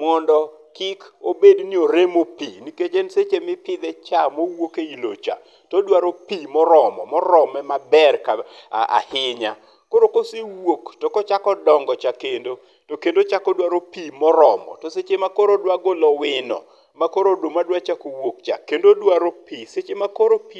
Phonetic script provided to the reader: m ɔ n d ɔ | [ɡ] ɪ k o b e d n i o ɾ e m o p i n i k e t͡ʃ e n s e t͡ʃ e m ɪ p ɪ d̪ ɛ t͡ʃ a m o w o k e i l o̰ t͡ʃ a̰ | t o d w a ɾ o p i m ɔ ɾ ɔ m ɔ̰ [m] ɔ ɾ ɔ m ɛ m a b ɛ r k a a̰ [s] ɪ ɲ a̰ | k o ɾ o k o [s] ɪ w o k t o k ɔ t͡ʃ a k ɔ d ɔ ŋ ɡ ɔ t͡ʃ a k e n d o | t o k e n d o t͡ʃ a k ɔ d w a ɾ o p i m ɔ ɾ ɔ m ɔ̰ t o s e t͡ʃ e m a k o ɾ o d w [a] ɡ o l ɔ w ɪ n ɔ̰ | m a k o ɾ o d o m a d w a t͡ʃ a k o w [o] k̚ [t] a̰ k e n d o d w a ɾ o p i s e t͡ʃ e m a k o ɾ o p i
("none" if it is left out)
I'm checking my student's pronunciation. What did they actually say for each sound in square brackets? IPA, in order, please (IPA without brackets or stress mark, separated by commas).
k, m, h, s, a, o, t͡ʃ